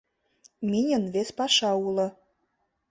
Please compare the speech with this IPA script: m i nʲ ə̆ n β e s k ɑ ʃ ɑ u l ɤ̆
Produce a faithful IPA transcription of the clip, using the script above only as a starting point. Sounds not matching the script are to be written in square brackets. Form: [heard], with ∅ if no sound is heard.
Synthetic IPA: m i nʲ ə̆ n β e s [p] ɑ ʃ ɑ u l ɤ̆